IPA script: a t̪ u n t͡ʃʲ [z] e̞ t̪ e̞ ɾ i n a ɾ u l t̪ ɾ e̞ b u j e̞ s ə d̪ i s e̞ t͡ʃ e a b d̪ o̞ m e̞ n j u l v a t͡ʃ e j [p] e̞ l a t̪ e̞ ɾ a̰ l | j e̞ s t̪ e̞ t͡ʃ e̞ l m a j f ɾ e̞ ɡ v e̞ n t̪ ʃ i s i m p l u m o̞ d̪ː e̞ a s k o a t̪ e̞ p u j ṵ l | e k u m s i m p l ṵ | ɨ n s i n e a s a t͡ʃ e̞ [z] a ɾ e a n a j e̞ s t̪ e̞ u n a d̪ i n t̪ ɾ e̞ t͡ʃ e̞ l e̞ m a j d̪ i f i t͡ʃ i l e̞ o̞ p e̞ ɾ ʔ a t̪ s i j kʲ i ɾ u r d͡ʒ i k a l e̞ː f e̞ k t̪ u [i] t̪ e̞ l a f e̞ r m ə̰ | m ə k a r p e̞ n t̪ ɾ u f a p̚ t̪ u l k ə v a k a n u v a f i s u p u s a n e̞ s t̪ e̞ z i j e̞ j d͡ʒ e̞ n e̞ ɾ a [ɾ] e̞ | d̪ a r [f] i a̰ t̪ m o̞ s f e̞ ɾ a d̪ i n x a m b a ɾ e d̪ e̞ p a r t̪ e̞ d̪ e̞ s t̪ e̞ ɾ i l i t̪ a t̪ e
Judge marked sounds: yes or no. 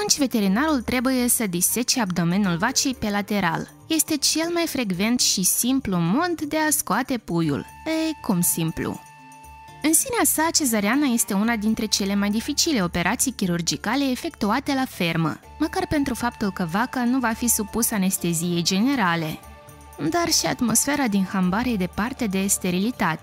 no, yes, yes, no, no, no

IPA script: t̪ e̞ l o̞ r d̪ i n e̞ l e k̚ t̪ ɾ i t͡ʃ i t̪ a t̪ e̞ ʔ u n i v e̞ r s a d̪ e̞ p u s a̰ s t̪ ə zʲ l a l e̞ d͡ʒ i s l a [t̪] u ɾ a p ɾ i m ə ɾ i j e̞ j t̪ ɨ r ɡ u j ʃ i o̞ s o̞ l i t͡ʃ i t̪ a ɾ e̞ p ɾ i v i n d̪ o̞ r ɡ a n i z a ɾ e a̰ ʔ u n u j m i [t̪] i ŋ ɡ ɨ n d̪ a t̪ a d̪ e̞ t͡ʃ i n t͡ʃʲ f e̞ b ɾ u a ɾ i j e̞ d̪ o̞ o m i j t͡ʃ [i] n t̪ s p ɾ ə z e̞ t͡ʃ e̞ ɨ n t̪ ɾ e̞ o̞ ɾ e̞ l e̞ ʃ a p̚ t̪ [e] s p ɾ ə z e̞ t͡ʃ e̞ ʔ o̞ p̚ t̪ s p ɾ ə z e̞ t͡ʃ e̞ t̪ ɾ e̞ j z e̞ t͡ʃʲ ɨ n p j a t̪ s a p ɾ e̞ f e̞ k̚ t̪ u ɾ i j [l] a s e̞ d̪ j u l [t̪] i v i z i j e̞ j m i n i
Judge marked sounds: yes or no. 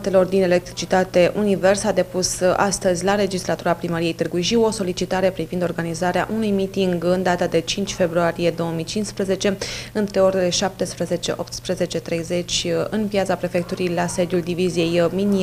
yes, yes, yes, yes, yes, no

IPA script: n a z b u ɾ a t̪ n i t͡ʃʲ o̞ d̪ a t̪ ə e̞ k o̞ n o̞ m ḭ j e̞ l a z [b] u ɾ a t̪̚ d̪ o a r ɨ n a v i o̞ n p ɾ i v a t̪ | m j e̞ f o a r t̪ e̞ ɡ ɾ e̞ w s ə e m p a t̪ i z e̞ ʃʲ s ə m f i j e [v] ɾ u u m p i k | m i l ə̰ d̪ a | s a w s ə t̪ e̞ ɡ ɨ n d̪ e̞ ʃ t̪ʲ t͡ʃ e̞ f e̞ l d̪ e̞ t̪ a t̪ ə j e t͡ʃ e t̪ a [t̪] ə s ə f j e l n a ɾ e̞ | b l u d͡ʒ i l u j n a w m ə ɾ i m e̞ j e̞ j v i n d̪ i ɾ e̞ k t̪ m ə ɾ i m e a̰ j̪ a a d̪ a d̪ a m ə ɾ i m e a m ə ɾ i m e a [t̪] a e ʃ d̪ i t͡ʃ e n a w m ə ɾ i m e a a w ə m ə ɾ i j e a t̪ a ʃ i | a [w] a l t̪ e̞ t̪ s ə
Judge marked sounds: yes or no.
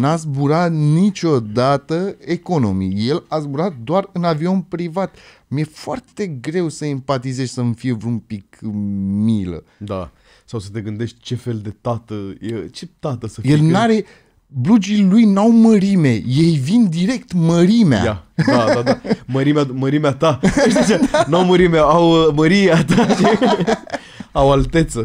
yes, yes, yes, yes, yes

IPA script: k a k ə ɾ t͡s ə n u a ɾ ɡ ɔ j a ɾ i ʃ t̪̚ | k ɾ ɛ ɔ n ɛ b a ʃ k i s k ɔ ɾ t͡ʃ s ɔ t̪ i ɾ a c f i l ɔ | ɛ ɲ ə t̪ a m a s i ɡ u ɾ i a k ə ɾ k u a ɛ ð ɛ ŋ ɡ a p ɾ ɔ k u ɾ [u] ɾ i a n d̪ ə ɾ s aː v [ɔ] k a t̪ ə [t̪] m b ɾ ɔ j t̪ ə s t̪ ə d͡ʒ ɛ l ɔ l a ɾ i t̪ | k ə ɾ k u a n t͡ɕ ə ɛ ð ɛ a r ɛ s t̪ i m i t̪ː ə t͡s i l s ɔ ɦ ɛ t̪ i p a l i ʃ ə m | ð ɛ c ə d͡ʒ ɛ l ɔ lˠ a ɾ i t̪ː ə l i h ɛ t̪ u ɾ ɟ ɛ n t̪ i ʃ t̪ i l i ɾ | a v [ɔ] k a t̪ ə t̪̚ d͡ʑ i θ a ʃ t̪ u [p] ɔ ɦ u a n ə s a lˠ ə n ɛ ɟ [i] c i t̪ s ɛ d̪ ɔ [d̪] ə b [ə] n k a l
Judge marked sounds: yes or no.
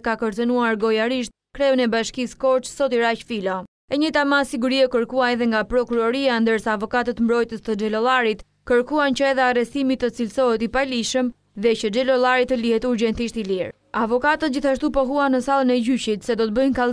no, yes, yes, yes, yes, no, no, yes

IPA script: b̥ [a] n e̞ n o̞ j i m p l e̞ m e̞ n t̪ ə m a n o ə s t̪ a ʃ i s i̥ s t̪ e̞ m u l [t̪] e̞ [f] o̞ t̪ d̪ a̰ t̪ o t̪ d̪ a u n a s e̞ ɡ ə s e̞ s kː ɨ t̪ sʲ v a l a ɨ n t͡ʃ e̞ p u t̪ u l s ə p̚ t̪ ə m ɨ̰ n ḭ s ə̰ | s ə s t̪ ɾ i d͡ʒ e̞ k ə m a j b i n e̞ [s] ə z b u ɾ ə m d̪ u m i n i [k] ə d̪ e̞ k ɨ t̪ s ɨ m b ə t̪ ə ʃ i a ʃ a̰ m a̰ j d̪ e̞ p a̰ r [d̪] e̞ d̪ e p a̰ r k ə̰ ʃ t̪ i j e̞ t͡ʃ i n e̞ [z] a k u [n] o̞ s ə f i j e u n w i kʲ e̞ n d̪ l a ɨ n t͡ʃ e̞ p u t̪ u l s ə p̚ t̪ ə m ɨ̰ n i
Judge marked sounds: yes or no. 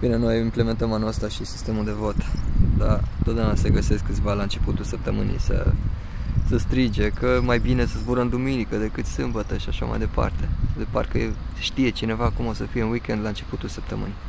no, no, no, yes, yes, no, no, no

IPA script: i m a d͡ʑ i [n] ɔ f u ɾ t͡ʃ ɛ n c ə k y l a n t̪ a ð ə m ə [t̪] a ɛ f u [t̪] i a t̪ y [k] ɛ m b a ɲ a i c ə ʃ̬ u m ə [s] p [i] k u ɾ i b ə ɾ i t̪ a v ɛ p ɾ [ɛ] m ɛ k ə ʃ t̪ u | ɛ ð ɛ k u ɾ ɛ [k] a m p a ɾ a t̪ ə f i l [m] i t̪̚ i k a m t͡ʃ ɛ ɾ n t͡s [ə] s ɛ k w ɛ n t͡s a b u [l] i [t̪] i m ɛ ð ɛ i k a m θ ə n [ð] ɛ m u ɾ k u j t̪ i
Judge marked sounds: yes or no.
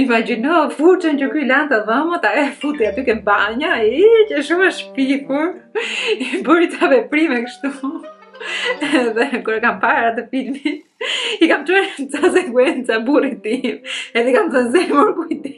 yes, yes, yes, yes, no, yes, no, yes, yes, no, no, yes, no

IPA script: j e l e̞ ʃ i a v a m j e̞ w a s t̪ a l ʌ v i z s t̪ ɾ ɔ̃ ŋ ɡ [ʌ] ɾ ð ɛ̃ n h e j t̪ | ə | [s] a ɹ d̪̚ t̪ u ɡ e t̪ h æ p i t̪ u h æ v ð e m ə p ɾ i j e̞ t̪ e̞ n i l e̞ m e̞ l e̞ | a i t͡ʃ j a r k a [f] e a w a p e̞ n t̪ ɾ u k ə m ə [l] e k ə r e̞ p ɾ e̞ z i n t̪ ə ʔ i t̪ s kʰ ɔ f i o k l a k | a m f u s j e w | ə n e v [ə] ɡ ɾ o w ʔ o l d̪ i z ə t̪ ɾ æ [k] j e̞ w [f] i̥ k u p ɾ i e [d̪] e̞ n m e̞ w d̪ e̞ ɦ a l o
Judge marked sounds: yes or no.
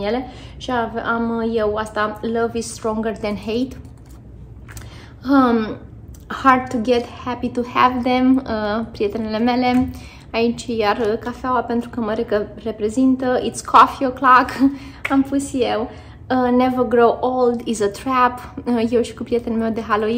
no, no, yes, no, yes, no, no, no

